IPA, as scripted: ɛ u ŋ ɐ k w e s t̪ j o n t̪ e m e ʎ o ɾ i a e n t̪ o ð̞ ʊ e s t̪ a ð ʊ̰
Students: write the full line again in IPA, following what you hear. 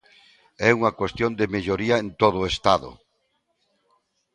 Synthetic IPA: ɛ u ŋ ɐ k w e s t̪ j o n d̪ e m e ʎ o ɾ i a e n t̪ o ð̞ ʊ e s t̪ a ð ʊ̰